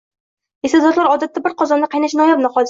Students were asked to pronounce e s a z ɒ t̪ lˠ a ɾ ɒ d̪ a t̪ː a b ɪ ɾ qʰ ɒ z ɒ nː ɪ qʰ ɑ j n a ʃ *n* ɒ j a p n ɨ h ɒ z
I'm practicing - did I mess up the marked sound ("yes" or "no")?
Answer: no